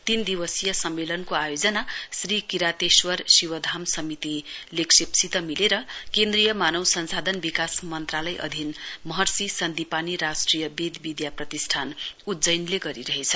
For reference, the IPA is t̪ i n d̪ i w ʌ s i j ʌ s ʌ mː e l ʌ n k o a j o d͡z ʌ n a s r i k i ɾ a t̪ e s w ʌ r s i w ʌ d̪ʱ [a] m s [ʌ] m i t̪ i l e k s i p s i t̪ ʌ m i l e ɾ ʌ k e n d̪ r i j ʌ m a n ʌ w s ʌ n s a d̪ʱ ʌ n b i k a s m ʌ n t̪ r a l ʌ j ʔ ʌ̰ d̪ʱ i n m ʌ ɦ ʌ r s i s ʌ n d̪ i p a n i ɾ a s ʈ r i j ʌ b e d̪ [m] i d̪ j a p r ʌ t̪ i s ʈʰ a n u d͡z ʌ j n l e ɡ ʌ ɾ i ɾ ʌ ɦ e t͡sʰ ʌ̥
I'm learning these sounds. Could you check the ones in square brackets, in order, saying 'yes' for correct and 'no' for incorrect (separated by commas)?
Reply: yes, yes, no